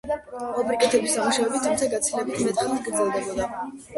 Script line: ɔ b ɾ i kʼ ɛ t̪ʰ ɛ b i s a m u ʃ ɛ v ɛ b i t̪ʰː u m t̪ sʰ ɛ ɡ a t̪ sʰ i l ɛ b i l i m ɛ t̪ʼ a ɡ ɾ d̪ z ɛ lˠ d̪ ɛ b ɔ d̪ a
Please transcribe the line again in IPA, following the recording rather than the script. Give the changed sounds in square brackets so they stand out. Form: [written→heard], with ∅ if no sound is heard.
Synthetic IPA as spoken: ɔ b ɾ i kʼ ɛ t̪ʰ ɛ b i s a m u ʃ [ɛ→a] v ɛ b i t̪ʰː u m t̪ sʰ [ɛ→a] ɡ a t̪ sʰ i l ɛ b i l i m ɛ t̪ʼ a ɡ ɾ d̪ z ɛ lˠ d̪ ɛ b ɔ d̪ a